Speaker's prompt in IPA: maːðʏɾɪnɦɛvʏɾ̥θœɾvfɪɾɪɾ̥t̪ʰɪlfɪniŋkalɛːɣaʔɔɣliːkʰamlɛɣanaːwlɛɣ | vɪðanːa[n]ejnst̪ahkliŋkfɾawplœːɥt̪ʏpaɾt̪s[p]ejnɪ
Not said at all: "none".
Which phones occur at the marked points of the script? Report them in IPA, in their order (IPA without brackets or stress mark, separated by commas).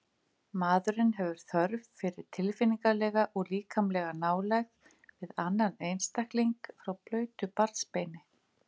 n, p